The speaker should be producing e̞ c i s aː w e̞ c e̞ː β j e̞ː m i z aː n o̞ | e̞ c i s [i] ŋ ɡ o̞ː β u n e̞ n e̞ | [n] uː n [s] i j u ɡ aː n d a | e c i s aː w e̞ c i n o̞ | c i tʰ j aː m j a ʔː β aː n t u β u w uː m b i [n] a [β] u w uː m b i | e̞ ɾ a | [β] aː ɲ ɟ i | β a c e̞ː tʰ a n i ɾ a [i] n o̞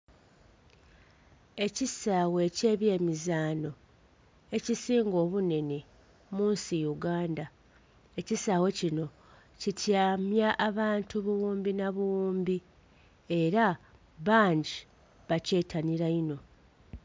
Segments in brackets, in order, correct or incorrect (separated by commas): incorrect, incorrect, correct, correct, correct, correct, correct